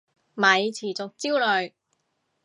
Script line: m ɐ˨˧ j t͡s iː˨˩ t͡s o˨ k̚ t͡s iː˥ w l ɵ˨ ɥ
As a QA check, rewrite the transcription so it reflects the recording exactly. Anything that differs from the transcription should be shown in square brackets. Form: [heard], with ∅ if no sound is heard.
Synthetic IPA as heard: m ɐ˨˧ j [t͡sʰ] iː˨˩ t͡s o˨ k̚ t͡s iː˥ w l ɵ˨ ɥ